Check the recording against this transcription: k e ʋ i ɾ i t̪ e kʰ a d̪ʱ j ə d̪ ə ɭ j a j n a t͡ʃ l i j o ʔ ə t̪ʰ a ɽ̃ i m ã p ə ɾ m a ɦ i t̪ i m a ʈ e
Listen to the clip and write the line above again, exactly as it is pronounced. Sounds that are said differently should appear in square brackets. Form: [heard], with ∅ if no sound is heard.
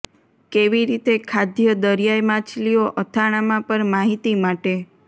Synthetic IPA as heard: k e ʋ i ɾ i t̪ e kʰ a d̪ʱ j ə d̪ ə [ɾ] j a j [m] a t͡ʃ l i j o ʔ ə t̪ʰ a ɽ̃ [a] m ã p ə ɾ m a ɦ i t̪ i m a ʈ e